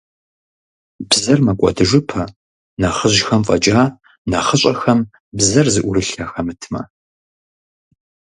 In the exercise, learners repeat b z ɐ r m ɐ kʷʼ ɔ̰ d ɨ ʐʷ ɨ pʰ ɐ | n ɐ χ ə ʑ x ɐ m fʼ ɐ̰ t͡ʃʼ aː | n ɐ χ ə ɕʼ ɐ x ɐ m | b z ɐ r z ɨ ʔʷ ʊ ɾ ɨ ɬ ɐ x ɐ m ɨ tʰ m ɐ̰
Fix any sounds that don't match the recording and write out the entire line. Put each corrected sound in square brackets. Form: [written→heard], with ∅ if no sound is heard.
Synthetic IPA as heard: b z ɐ r m ɐ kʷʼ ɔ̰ d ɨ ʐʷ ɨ pʰ ɐ | n ɐ χ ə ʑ x ɐ m fʼ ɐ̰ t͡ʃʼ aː | n ɐ χ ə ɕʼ ɐ x ɐ m | b z ɐ r z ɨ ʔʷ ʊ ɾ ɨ ɬ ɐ x ɐ m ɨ tʰ m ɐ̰